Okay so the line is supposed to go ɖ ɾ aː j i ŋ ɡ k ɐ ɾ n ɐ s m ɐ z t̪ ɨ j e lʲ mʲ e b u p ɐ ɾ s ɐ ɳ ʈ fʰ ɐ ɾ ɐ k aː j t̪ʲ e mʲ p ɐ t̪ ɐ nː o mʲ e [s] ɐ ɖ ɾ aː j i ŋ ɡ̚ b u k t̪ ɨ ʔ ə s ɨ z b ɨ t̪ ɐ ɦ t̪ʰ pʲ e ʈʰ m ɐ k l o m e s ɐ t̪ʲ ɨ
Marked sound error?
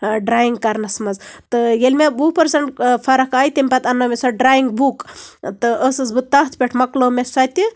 no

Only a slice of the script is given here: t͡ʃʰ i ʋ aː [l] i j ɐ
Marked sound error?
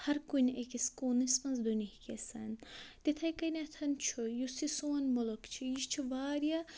yes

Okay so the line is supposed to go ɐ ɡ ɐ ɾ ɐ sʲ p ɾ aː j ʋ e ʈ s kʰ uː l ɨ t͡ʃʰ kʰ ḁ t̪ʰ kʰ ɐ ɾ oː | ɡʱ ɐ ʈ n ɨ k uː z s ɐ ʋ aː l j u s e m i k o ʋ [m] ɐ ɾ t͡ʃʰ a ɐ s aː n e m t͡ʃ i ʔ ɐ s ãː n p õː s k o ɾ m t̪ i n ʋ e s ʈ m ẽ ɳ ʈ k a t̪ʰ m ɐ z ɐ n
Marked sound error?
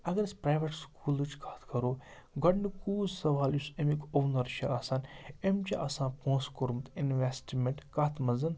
yes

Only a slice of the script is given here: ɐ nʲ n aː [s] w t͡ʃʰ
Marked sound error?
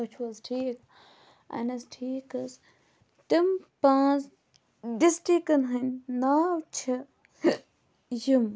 yes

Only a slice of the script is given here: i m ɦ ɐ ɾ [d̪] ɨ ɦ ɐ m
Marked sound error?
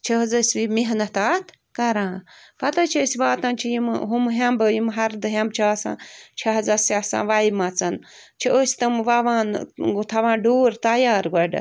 no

